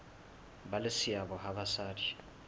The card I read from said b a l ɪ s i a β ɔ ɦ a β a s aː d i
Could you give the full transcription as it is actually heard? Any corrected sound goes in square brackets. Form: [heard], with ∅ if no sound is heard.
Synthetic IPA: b a l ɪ s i a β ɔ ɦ a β a s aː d i